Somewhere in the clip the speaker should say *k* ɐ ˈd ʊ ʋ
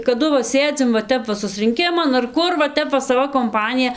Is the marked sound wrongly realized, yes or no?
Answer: no